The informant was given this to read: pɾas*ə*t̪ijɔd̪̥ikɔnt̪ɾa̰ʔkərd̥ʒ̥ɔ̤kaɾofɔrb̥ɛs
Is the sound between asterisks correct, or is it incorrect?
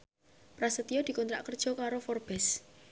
correct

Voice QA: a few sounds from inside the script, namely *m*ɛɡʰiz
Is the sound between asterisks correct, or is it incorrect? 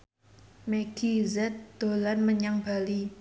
correct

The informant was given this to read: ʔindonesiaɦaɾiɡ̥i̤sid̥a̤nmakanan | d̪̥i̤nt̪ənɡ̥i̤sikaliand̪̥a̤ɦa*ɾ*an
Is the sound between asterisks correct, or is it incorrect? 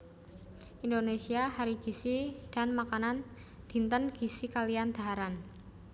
correct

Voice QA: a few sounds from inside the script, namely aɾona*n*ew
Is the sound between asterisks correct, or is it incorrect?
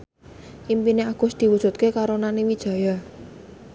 correct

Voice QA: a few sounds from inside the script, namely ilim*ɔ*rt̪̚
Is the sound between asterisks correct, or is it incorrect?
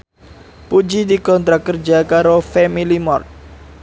correct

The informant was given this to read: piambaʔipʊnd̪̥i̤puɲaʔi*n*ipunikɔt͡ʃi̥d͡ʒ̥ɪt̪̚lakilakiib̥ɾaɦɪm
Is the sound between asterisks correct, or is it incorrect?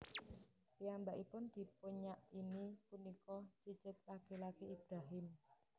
correct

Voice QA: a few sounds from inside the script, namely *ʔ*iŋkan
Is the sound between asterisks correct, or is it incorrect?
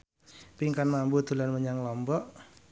incorrect: p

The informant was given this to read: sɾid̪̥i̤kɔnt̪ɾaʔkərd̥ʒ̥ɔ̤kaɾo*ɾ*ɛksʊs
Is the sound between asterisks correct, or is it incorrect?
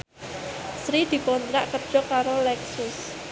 incorrect: l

